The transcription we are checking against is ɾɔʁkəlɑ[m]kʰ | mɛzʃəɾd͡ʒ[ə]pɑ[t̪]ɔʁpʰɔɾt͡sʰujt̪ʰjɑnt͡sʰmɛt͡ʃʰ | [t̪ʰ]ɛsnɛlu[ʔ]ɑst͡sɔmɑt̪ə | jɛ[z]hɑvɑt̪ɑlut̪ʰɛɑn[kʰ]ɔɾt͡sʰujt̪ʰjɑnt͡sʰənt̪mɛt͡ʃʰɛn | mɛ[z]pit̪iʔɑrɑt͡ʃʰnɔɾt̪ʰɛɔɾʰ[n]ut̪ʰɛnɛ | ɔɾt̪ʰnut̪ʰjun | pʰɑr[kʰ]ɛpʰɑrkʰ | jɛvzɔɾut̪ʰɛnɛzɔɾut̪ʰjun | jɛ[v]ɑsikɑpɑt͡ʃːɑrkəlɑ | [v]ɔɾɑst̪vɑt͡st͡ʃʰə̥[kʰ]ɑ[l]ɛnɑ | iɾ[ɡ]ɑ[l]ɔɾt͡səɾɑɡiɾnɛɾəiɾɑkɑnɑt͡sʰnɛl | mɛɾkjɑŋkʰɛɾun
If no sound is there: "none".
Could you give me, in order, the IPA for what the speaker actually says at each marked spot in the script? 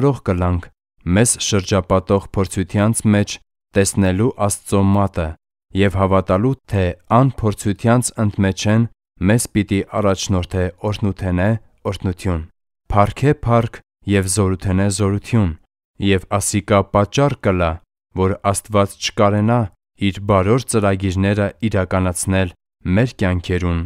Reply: ŋ, ɑ, t̪, t̪, ʔ, v, pʰ, z, n, kʰ, v, v, k, ɾ, b, ɾ

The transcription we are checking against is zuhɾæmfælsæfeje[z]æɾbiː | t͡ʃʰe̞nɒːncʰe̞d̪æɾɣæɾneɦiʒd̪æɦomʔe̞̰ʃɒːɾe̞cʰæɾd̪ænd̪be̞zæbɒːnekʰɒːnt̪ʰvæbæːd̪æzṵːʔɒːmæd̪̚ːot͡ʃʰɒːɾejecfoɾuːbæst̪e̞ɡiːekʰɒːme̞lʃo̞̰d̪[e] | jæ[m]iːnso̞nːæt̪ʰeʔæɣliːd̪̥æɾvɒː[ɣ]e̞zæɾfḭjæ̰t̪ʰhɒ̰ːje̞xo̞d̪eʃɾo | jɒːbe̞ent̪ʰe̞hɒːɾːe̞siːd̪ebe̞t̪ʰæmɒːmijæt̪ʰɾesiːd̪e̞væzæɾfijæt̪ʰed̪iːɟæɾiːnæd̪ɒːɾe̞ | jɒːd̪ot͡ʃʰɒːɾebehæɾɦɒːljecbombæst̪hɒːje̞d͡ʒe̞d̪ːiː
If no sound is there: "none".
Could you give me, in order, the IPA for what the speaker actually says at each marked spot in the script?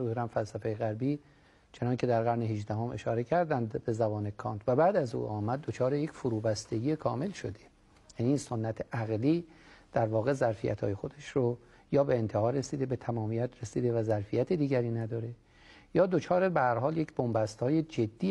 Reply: ɣ, e, n, ɣ

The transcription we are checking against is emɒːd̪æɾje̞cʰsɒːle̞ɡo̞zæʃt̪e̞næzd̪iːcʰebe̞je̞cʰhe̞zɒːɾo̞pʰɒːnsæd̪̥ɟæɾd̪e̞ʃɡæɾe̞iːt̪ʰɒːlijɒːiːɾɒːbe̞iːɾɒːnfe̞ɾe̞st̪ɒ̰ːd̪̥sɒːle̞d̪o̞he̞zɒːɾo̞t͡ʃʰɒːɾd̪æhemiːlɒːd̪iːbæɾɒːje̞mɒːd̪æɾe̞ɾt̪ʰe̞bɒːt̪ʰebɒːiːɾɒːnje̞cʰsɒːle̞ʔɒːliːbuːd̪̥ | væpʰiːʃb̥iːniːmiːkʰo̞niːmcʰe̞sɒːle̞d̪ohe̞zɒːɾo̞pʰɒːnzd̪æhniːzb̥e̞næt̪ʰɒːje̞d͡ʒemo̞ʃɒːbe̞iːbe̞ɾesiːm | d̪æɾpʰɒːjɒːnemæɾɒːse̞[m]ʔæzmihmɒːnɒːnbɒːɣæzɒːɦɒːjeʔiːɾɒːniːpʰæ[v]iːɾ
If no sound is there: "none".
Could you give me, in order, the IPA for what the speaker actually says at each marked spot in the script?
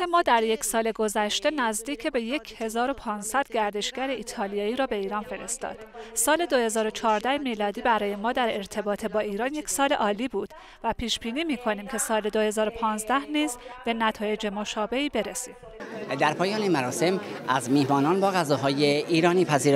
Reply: m, z

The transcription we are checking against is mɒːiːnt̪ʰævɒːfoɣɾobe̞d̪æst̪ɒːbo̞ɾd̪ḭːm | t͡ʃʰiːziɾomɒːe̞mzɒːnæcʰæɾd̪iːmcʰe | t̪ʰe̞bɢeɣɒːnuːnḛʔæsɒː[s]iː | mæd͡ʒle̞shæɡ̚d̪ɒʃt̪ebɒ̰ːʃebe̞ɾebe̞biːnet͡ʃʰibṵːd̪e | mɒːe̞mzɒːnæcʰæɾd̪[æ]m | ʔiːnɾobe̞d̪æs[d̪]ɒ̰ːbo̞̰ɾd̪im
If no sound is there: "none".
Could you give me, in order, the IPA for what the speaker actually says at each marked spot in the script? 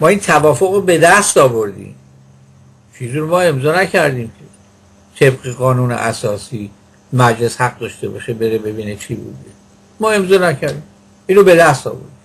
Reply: s, i, t̪

